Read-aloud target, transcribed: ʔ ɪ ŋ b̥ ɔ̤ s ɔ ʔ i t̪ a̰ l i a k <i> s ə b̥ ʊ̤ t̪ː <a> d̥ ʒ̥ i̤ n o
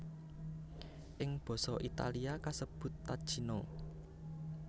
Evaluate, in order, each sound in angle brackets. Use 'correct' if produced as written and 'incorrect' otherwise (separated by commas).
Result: incorrect, correct